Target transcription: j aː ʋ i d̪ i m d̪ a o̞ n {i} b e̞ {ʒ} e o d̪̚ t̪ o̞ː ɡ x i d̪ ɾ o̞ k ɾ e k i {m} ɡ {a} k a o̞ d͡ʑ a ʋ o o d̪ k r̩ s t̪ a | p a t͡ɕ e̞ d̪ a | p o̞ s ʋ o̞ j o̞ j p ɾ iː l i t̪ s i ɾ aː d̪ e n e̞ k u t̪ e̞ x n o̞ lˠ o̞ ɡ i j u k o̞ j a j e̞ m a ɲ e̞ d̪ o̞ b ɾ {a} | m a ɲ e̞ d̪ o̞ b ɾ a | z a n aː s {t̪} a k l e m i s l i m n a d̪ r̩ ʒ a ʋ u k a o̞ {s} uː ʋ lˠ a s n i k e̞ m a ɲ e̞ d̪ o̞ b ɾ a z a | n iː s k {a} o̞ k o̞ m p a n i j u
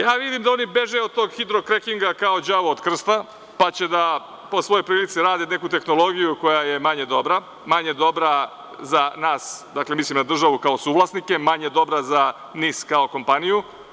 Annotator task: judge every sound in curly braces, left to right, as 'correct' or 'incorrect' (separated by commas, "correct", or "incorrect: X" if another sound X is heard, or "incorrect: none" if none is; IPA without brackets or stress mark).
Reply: correct, correct, incorrect: ŋ, correct, correct, incorrect: d̪, correct, correct